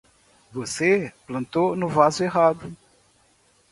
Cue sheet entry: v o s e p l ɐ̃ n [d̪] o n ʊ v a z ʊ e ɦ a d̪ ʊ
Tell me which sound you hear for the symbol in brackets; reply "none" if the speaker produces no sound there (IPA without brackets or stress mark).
t̪